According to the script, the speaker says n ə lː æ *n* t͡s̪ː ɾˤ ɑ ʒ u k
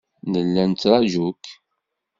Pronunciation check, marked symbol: correct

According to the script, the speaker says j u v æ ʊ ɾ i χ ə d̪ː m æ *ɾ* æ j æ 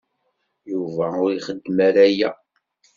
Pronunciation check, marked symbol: correct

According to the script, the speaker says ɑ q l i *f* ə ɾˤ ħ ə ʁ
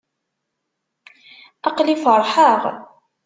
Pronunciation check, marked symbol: correct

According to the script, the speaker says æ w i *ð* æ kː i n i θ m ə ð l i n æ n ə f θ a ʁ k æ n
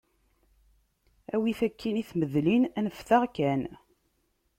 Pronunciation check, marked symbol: incorrect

